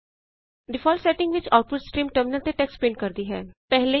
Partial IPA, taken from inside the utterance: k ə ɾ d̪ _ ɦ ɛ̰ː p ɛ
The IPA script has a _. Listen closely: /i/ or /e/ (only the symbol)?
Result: i